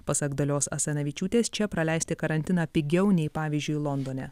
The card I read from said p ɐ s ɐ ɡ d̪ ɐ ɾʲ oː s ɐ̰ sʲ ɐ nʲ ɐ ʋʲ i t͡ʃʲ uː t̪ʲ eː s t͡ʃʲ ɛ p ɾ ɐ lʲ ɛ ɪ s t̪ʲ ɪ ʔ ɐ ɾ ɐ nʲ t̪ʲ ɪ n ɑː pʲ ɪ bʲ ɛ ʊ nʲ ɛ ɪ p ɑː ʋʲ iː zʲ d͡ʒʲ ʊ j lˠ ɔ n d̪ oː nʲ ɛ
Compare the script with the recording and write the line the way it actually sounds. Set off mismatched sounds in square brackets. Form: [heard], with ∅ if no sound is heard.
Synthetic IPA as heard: p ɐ s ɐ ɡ d̪ ɐ [lʲ] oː s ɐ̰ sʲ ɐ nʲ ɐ ʋʲ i t͡ʃʲ uː t̪ʲ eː s t͡ʃʲ ɛ p ɾ ɐ lʲ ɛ ɪ s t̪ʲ ɪ [k] ɐ ɾ ɐ nʲ t̪ʲ ɪ n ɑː pʲ ɪ [ɡʲ] ɛ ʊ nʲ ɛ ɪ p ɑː ʋʲ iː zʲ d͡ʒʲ ʊ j lˠ ɔ n d̪ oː nʲ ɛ